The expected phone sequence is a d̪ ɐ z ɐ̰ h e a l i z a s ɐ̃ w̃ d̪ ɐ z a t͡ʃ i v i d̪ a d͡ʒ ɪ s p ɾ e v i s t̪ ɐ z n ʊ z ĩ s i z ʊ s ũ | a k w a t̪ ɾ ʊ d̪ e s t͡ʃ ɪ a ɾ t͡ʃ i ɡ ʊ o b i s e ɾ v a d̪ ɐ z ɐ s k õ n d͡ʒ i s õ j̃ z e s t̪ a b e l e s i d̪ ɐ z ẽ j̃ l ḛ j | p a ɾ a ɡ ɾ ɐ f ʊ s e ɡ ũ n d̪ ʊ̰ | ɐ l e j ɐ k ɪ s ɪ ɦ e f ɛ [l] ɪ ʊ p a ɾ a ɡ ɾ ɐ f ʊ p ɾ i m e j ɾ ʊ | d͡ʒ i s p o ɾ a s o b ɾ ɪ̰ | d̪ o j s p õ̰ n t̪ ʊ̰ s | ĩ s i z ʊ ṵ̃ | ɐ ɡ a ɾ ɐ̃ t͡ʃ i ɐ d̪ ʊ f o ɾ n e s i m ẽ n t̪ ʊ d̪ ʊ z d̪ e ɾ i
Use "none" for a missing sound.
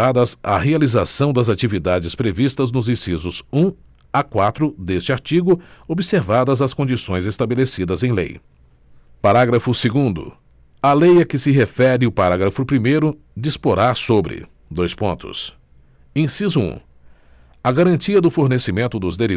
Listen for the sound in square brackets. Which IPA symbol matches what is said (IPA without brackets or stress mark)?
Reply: ɾ